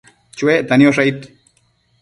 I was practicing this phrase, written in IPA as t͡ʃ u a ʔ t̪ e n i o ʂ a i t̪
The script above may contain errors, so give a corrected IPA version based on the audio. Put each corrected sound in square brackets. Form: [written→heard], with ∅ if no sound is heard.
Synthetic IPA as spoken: t͡ʃ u [a→e] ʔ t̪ [e→a] n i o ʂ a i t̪